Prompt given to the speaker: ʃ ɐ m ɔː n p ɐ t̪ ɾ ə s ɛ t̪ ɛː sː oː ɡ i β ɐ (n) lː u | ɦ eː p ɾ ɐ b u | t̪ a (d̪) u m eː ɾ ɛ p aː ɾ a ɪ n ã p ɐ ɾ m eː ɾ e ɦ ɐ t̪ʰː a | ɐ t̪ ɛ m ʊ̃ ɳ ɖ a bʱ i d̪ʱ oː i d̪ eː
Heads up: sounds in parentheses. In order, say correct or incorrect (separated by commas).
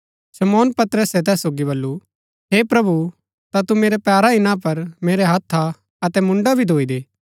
incorrect, incorrect